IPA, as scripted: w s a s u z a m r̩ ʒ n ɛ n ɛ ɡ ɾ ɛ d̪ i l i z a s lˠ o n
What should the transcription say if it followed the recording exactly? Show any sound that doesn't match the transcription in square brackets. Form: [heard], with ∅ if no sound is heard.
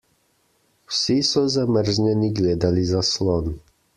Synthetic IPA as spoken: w s [i] s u z a m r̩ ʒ [ɲ] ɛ n [i] ɡ [l] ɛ d̪ [a] l i z a s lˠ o n